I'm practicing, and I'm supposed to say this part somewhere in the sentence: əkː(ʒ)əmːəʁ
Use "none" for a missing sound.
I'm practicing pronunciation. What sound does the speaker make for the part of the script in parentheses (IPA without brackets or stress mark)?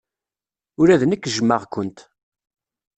ʒ